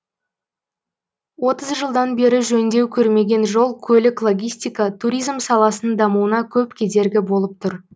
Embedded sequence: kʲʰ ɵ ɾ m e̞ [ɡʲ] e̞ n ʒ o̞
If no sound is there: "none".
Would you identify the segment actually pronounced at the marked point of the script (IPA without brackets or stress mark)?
ɡʲ